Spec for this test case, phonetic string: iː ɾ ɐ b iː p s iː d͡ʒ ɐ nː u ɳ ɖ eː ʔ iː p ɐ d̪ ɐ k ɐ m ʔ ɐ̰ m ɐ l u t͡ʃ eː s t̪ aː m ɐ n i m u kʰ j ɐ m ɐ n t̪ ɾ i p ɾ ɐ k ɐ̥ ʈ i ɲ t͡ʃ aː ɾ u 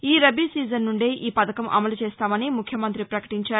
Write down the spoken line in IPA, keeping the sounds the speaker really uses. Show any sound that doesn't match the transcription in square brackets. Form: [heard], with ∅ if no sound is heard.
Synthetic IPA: iː ɾ ɐ b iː [∅] s iː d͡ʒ ɐ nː u ɳ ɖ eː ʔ iː p ɐ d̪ ɐ k ɐ m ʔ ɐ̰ m ɐ l u t͡ʃ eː s t̪ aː m ɐ n i m u kʰ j ɐ m ɐ n t̪ ɾ i p ɾ ɐ k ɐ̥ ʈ i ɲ t͡ʃ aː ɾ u